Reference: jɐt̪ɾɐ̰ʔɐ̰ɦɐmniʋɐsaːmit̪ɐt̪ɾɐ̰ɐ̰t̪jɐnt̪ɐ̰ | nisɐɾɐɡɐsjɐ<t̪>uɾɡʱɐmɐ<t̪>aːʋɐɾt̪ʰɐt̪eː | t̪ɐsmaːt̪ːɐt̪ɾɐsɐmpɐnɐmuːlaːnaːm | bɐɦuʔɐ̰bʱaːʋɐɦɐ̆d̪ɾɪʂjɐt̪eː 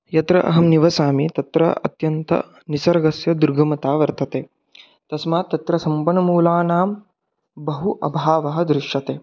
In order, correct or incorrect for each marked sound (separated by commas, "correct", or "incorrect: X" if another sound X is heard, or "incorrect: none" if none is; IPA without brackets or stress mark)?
incorrect: d̪, correct